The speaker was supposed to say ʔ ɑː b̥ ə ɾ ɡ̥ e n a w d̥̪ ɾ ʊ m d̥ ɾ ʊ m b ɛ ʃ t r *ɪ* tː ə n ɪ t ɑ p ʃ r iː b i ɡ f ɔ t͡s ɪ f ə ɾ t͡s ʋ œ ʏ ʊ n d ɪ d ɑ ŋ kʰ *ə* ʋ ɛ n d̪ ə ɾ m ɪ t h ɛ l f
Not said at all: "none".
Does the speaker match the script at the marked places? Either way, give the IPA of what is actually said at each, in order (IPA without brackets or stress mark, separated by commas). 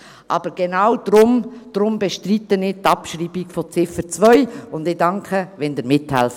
i, ə